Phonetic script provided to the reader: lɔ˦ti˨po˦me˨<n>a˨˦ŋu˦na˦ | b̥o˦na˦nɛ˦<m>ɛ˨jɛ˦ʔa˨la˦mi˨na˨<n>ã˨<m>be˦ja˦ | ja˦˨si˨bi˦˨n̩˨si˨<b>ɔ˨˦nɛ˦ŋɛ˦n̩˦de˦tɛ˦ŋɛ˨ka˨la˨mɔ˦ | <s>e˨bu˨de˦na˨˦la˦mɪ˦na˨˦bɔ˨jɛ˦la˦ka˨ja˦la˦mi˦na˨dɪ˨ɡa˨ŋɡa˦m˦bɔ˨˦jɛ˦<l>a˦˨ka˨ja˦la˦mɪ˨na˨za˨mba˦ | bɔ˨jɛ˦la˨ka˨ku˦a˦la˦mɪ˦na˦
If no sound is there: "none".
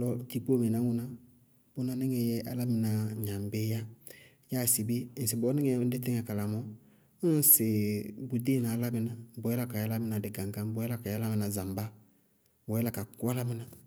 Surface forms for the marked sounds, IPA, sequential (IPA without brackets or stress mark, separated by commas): n, ŋ, ɲ, m, b, s, l